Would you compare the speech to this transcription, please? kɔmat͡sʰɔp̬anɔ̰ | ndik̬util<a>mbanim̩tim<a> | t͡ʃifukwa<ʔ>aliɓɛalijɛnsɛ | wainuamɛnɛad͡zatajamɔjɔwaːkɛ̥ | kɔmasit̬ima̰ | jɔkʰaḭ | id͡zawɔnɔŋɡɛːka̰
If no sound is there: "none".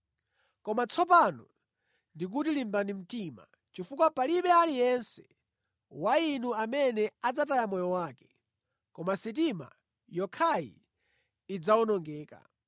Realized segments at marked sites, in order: i, a, p

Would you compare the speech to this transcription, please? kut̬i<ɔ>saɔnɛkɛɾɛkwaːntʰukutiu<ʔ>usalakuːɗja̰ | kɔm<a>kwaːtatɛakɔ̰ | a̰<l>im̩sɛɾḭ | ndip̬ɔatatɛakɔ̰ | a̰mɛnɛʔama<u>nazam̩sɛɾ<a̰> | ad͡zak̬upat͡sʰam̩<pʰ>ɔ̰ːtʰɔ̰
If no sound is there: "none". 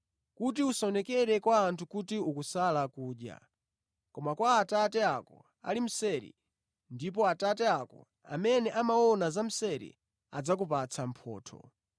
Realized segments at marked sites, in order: u, k, a, l, ɔ, ḭ, pʰ

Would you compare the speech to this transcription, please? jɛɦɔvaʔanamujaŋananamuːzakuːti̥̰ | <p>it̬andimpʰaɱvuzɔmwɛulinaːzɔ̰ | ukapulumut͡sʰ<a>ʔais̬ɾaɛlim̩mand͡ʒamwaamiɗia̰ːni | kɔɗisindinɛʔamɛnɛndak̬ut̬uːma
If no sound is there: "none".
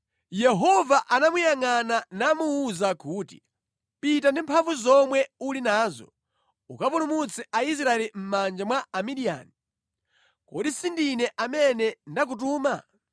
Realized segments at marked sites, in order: p, ɛ

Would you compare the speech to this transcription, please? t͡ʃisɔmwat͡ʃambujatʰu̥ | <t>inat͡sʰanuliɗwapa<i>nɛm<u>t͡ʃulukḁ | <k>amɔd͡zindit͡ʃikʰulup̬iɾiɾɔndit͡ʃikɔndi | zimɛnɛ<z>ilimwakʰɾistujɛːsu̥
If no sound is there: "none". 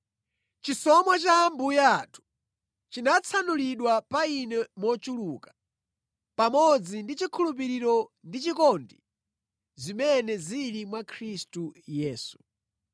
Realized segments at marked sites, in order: t͡ʃ, i, ɔ, p, z

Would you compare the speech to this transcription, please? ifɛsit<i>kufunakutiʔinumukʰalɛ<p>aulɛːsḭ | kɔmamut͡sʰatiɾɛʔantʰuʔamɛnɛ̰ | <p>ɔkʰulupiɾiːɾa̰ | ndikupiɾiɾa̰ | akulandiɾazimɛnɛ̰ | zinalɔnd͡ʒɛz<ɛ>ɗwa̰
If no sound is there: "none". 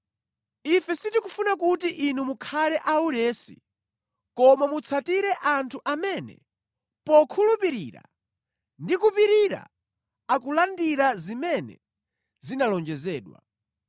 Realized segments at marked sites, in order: i, ʔ, p, ɛː

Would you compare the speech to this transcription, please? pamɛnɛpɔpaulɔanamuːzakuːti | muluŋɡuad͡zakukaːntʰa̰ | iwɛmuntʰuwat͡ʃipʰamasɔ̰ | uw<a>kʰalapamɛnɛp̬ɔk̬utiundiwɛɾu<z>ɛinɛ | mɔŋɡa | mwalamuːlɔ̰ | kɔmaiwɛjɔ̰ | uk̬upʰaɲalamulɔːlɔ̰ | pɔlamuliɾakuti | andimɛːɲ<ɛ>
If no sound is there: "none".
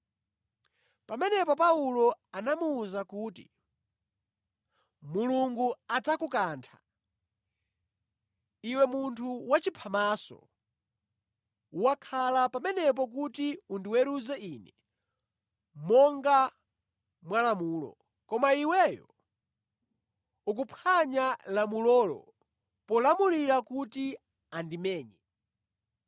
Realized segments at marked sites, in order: a, z, ɛ

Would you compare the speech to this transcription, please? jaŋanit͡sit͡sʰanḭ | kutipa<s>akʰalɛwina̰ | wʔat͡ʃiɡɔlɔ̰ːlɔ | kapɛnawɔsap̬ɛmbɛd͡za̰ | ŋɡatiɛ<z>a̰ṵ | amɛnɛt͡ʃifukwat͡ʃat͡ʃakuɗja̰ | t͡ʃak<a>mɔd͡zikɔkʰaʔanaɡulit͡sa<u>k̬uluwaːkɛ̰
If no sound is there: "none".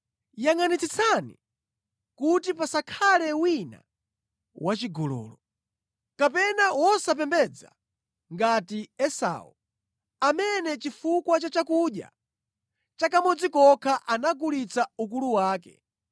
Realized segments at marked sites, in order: s, s, a, u

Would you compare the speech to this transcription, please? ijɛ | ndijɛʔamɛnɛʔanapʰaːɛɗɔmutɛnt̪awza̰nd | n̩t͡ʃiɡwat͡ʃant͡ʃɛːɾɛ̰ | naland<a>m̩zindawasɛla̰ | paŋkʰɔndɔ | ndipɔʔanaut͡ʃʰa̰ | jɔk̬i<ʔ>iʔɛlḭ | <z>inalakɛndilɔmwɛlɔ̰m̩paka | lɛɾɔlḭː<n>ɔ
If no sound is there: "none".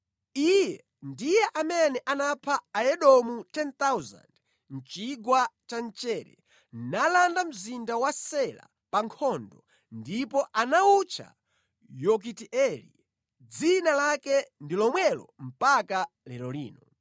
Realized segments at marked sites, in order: a, t, d͡z, n

